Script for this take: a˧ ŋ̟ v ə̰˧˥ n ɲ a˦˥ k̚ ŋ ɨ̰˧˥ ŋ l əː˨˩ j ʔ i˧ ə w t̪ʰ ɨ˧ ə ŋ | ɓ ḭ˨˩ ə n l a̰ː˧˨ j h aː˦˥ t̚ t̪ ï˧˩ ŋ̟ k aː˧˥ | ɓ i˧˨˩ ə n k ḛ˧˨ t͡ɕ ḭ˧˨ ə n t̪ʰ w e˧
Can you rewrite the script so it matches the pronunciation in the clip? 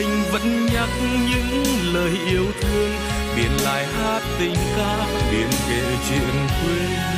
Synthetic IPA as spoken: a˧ ŋ̟ v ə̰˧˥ n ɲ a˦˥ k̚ ɲ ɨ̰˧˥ ŋ l əː˨˩ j ʔ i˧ ə w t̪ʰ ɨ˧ ə ŋ | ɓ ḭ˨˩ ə n l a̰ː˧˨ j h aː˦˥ t̚ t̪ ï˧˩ ŋ̟ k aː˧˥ | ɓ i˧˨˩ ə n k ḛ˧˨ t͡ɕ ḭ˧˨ ə n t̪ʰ w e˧